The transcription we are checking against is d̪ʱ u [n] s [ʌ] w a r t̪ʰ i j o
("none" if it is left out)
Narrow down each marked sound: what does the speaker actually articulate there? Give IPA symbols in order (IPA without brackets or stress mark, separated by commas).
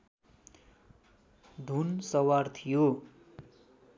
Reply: n, ʌ